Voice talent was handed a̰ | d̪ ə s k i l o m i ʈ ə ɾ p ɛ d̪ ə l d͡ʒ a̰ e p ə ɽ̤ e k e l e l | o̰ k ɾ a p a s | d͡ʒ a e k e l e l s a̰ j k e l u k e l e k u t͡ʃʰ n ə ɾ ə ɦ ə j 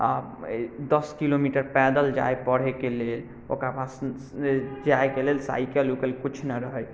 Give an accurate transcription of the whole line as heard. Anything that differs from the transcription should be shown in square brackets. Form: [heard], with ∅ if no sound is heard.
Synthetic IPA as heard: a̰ | d̪ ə s k i l o m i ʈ ə ɾ p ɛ d̪ ə l d͡ʒ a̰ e p ə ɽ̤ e k e l e l | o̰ k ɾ a p a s | d͡ʒ a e k e l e l s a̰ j k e l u k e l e k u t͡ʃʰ n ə ɾ ə ɦ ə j

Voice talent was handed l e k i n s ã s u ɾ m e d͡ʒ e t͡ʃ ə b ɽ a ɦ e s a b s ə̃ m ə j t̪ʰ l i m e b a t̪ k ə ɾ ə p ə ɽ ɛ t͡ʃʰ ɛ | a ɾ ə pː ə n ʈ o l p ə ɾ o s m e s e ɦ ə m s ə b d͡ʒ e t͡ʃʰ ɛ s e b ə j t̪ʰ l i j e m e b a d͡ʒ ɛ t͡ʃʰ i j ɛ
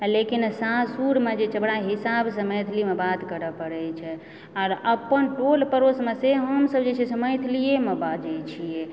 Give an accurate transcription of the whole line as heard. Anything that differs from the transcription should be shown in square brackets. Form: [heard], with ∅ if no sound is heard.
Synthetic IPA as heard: l e k i n s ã s u ɾ m e d͡ʒ e t͡ʃ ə b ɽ a ɦ [i] s a b s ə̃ m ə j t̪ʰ l i m e b a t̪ k ə ɾ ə p ə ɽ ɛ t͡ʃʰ ɛ | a ɾ ə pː ə n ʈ o l p ə ɾ o s m e s e ɦ ə m s ə b d͡ʒ e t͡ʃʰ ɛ s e [m] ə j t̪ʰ l i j e m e b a d͡ʒ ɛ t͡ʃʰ i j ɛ

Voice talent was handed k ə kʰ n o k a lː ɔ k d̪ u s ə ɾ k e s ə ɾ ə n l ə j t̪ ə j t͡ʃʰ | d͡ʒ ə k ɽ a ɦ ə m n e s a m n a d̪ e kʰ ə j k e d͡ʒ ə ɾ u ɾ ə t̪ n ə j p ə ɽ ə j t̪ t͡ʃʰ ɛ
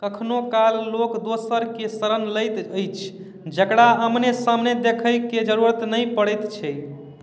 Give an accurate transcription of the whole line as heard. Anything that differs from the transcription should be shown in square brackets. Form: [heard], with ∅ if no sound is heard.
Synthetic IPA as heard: k ə kʰ n o k a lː [o] k d̪ [o] s ə ɾ k e s ə ɾ ə n l ə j t̪ ə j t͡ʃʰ | d͡ʒ ə k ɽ a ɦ ə m n e s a m n [e] d̪ e kʰ ə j k e d͡ʒ ə ɾ u ɾ ə t̪ n ə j p ə ɽ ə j t̪ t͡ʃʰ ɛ

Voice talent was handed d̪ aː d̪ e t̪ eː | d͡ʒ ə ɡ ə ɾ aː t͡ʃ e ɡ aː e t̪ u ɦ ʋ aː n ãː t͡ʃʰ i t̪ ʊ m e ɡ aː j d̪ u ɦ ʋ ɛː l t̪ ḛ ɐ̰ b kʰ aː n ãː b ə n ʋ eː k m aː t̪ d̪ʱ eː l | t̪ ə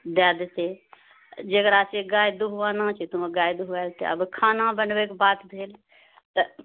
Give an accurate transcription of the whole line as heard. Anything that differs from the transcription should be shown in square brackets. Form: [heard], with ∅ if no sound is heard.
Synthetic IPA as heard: d̪ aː d̪ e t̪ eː | d͡ʒ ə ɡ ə ɾ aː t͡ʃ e ɡ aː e [d̪] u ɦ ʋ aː n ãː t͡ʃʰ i t̪ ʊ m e ɡ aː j d̪ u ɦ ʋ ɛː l t̪ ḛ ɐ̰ b kʰ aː n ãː b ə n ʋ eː k [b] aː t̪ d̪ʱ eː l | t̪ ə

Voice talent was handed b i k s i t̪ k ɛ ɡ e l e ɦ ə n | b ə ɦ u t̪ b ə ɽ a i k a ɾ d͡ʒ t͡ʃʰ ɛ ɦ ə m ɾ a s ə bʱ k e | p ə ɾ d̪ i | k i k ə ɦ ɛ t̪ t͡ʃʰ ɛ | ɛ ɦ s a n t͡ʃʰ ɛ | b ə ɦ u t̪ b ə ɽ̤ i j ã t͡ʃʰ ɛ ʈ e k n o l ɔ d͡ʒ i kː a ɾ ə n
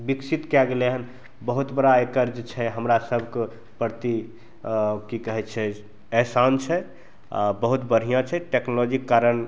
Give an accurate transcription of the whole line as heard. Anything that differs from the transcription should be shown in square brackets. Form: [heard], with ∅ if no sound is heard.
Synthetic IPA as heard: b i k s i t̪ k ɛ ɡ e l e ɦ ə n | b ə ɦ u t̪ b ə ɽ a [e] k [ə] ɾ d͡ʒ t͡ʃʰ ɛ ɦ ə m ɾ a s ə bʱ k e | p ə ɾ [t̪] i | k i k ə ɦ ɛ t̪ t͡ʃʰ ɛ | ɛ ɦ s a n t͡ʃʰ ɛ | b ə ɦ u t̪ b ə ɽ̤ i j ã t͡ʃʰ ɛ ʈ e k n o l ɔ d͡ʒ i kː a ɾ ə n

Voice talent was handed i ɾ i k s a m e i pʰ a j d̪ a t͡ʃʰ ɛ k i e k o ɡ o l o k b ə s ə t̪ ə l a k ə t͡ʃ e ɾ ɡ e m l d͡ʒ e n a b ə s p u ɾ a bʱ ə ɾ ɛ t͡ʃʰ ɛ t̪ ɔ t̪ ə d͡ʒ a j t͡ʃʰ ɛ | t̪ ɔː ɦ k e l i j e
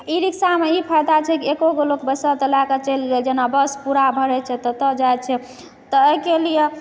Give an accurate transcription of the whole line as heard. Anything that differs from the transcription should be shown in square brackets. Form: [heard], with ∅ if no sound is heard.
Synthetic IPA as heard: i ɾ i k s a m e i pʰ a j d̪ a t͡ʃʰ ɛ k i e k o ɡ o l o k b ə s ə t̪ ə l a k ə t͡ʃ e [l] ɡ e [∅] l d͡ʒ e n a b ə s p u ɾ a bʱ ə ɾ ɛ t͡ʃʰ ɛ t̪ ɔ t̪ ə d͡ʒ a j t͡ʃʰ ɛ | t̪ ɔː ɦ k e l i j e

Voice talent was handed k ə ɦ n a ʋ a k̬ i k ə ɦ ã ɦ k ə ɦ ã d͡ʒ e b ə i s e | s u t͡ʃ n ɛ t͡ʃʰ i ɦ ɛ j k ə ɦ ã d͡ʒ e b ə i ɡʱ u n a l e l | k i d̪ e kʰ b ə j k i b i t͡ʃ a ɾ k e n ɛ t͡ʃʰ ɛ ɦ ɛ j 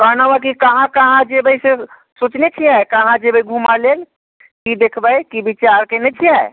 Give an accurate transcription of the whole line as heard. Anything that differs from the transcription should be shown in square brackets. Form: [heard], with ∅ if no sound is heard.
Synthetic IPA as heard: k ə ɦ n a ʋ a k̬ i k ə ɦ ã [∅] k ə ɦ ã d͡ʒ e b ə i s e | s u t͡ʃ n [e] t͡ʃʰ i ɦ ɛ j k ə ɦ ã d͡ʒ e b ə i ɡʱ u [m] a l e l | k i d̪ e kʰ b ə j k i b i t͡ʃ a ɾ k e n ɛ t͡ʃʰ [i] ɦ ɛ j

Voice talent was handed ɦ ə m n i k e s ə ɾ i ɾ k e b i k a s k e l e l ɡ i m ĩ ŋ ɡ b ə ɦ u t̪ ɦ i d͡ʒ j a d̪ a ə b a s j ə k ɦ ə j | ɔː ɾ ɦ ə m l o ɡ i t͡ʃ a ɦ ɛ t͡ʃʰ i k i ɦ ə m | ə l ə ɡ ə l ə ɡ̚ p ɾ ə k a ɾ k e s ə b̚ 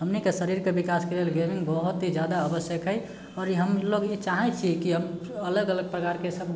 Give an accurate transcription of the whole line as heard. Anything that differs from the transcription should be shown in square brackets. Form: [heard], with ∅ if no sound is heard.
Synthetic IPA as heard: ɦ ə m n i k e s ə ɾ i ɾ k e b i k a s k e l e l ɡ [e] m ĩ ŋ ɡ b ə ɦ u t̪ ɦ i d͡ʒ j a d̪ a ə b [ə] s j ə k ɦ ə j | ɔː ɾ ɦ ə m l o ɡ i t͡ʃ a ɦ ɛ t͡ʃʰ i k i ɦ ə m | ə l ə ɡ ə l ə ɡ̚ p ɾ ə k a ɾ k e s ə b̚

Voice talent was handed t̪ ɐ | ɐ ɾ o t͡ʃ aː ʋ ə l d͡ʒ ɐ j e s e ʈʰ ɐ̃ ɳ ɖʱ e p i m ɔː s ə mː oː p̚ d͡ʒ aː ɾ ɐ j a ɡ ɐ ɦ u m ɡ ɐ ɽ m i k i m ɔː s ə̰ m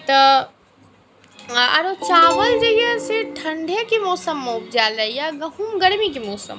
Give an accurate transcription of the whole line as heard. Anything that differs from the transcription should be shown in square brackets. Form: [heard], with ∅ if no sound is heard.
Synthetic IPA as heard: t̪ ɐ | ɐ ɾ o t͡ʃ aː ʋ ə l d͡ʒ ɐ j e s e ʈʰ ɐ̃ ɳ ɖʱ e [k] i m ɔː s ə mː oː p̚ d͡ʒ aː [l] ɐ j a ɡ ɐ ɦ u m ɡ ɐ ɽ m i k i m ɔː s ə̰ m

